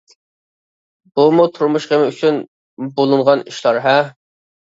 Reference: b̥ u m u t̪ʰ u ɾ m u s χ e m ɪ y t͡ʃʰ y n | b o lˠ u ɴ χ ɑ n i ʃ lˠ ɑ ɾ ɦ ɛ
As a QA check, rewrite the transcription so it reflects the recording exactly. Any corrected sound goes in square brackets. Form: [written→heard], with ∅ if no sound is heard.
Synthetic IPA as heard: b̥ u m u t̪ʰ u ɾ m u [s→ʃ] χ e m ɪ y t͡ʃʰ y n | b o lˠ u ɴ [χ→ʁ] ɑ n i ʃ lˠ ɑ ɾ ɦ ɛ